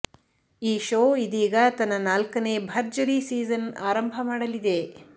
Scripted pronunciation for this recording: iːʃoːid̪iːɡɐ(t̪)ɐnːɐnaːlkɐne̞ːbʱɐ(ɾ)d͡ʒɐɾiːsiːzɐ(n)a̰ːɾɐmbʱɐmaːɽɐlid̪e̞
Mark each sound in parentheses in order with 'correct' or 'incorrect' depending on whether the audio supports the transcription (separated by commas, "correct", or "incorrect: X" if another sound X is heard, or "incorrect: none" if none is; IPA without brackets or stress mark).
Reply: correct, correct, correct